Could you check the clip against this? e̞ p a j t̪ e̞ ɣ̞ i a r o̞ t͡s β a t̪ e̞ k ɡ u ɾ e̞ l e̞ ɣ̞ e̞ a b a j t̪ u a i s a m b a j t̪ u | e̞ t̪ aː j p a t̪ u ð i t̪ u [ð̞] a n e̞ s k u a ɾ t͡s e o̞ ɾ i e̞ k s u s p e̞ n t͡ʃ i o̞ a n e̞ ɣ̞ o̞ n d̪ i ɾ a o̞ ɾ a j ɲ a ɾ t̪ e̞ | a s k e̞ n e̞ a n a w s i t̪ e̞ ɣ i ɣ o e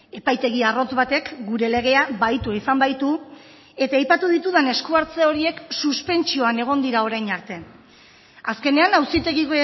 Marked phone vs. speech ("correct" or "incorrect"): correct